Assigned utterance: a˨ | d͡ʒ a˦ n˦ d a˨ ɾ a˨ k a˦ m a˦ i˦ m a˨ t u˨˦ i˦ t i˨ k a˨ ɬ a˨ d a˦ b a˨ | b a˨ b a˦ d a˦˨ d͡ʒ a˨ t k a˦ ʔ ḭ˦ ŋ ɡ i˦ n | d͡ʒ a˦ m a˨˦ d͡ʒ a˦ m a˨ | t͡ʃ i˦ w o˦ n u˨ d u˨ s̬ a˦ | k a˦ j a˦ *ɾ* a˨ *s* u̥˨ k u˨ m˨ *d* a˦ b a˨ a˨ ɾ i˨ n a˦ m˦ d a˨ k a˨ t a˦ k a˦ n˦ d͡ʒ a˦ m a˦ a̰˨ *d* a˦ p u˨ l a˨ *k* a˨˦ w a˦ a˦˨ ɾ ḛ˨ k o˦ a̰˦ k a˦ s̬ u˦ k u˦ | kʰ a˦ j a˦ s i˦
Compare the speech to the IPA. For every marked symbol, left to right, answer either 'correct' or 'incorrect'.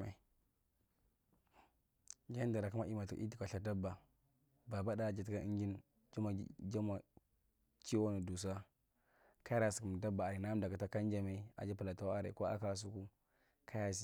correct, correct, correct, incorrect: d͡ʒ, incorrect: t

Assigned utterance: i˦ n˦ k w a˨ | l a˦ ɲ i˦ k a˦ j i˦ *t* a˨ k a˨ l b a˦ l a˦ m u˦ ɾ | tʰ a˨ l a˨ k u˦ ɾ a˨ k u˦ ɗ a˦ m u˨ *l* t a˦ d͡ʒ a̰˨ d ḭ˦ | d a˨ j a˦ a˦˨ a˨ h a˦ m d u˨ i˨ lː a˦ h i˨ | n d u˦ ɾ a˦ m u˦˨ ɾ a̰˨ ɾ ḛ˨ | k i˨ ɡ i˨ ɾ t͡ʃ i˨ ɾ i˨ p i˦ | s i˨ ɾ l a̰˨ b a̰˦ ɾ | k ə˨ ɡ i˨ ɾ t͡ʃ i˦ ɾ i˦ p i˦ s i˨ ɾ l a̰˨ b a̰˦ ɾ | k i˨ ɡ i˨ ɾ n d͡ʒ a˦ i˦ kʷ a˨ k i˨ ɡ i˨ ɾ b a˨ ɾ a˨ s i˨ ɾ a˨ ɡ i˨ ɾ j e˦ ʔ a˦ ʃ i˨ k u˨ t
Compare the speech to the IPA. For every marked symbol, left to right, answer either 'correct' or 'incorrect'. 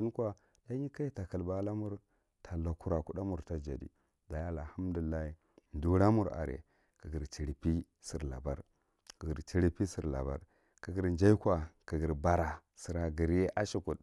correct, incorrect: ɾ

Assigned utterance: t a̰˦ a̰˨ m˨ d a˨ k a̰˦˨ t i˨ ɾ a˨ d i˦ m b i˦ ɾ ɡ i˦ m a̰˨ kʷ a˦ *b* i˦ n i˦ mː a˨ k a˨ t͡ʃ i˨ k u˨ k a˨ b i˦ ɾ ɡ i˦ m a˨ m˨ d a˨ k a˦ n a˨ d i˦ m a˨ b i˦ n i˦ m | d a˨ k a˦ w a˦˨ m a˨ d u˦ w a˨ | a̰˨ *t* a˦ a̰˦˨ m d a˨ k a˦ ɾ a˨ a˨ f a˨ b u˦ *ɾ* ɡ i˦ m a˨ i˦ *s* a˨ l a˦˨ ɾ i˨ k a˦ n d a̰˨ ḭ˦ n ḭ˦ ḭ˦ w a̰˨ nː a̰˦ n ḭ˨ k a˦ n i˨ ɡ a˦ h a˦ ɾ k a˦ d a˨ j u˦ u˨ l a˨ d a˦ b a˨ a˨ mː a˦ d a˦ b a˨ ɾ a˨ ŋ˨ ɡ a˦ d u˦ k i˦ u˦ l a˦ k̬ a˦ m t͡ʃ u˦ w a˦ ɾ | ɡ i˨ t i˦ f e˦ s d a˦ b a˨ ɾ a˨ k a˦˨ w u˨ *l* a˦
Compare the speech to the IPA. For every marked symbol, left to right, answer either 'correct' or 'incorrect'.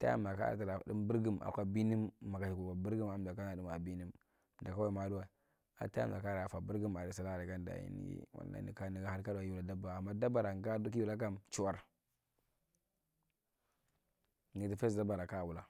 correct, correct, correct, correct, correct

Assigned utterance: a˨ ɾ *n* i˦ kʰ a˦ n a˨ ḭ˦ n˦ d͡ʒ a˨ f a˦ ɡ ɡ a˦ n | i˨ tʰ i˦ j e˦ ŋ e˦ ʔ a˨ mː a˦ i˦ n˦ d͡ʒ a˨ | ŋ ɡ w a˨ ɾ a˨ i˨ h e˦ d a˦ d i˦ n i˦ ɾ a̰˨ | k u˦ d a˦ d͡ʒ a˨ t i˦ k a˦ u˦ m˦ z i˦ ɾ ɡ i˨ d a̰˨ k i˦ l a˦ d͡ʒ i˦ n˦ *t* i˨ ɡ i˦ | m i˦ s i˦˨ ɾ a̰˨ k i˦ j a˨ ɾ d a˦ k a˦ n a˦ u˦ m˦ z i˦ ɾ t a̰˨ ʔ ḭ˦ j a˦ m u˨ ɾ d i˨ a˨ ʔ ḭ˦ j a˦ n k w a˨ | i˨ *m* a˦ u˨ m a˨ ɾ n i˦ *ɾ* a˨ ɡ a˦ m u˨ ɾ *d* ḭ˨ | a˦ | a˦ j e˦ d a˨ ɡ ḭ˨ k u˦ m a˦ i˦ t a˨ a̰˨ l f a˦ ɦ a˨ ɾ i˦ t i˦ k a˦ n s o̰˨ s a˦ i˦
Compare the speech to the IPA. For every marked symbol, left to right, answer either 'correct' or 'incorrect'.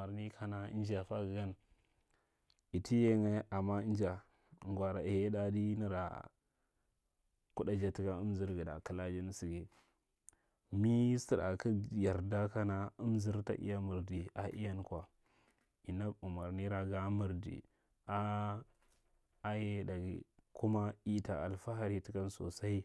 correct, incorrect: s, incorrect: n, correct, correct

